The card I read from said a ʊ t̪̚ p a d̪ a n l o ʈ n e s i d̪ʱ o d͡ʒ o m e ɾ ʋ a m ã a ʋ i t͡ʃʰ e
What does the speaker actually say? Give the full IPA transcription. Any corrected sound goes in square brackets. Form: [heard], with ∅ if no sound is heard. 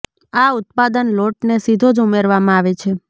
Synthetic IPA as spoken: a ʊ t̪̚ p a d̪ [ə] n l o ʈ n e s i d̪ʱ o d͡ʒ [u] m e ɾ ʋ a m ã a ʋ [e] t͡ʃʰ e

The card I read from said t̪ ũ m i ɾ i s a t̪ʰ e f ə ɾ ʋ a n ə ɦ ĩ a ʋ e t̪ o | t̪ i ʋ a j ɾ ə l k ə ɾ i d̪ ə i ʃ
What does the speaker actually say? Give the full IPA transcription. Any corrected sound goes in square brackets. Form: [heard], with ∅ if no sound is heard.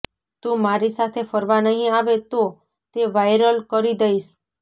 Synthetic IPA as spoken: t̪ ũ m [a] ɾ i s a t̪ʰ e f ə ɾ ʋ a n ə ɦ ĩ a ʋ e t̪ o | t̪ [e] ʋ a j ɾ ə l k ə ɾ i d̪ ə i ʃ

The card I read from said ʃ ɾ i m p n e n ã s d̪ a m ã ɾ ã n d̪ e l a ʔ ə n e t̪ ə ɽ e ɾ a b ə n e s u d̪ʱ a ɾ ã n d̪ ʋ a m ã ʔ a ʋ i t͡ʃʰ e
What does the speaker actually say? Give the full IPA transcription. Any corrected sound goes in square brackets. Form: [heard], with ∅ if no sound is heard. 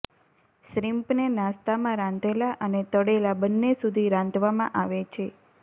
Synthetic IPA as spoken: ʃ ɾ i m p n e n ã s [t̪] a m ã ɾ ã n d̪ e l a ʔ ə n e t̪ ə ɽ e [l] a b ə [nː] e s u d̪ʱ [i] ɾ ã n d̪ ʋ a m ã ʔ a ʋ [e] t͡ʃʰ e

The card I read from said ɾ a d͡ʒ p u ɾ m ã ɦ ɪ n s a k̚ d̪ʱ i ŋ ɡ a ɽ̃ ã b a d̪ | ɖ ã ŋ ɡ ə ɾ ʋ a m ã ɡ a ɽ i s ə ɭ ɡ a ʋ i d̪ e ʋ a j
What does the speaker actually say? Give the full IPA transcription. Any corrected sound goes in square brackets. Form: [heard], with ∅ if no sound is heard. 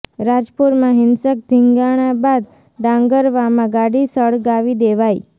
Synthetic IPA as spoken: ɾ a d͡ʒ p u ɾ m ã ɦ ɪ n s [ə] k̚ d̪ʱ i ŋ ɡ a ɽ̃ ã b a d̪ | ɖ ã ŋ ɡ ə ɾ ʋ a m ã ɡ a ɽ i s ə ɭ ɡ a ʋ i d̪ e ʋ a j

